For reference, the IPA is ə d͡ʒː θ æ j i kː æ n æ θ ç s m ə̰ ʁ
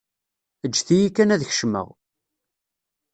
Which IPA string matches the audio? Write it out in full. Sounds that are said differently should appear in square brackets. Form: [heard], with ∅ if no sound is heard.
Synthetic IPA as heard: ə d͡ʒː θ [i] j i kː æ n æ [ð] ç [ʃ] m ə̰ ʁ